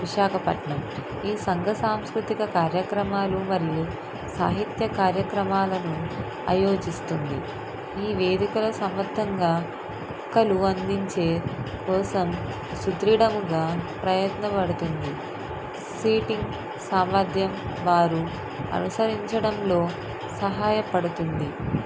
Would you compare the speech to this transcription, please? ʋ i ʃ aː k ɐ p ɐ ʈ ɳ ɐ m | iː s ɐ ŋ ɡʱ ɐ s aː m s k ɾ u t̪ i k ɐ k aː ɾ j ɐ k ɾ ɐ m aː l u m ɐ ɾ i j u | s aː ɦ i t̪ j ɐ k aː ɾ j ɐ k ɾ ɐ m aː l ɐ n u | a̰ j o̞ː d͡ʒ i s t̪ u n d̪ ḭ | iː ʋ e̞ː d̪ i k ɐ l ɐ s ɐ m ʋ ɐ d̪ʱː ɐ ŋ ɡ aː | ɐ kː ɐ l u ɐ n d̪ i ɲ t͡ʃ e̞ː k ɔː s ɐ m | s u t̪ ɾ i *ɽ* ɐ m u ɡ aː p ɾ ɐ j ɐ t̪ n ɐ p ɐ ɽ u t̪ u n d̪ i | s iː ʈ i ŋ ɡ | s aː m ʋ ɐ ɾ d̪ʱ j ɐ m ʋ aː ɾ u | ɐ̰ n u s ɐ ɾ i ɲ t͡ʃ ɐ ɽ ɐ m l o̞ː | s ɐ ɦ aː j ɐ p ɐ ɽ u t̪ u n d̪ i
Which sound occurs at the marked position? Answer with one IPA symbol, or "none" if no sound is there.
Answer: ɽ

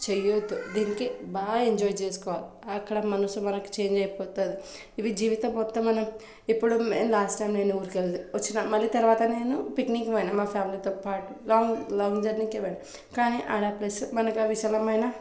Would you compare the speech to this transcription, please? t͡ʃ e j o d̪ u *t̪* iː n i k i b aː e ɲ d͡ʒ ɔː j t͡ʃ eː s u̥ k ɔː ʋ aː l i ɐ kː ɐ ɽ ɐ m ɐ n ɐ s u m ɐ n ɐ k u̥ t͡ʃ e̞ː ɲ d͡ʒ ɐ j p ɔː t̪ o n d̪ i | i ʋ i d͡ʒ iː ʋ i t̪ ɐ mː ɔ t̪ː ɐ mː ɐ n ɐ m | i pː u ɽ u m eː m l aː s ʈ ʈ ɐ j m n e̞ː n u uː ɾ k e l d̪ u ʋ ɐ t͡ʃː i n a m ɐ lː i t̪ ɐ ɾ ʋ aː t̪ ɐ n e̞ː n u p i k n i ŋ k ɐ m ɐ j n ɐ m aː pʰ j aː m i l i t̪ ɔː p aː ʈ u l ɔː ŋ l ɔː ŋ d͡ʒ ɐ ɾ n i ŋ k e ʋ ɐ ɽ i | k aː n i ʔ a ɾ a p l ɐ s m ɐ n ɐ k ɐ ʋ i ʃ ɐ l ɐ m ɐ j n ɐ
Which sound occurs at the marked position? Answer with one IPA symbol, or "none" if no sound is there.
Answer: d̪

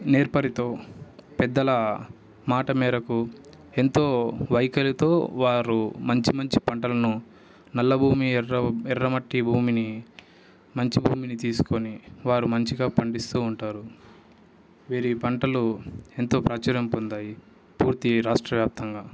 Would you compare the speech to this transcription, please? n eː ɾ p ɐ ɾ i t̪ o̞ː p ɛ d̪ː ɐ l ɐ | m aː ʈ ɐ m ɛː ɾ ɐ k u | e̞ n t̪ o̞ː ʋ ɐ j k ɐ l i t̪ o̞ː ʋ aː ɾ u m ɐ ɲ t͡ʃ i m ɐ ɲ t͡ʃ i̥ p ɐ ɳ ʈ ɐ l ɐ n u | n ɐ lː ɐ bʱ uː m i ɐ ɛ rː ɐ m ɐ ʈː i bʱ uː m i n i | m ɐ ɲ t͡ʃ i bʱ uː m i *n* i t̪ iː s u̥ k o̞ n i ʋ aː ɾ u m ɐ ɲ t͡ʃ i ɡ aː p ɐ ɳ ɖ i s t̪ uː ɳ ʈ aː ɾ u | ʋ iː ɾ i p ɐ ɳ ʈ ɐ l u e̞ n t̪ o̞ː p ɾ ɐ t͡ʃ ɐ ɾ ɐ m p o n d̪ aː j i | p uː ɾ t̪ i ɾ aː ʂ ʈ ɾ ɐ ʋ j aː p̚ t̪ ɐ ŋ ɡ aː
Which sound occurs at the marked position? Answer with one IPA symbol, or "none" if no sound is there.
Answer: n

